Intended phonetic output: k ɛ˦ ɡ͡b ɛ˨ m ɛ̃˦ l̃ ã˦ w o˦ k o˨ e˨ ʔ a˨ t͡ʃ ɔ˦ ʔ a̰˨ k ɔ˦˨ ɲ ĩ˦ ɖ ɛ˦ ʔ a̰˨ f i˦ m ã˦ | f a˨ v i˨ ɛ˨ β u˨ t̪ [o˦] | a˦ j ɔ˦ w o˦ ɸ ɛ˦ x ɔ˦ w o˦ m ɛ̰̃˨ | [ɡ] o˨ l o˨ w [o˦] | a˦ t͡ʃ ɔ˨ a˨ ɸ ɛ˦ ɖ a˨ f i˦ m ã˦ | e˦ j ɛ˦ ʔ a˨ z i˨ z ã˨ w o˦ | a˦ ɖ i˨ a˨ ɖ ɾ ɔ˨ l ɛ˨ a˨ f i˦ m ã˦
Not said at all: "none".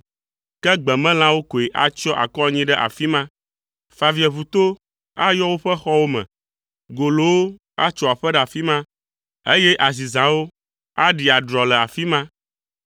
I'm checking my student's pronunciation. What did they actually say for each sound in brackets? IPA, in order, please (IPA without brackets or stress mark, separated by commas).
o˦, ɡ, o˦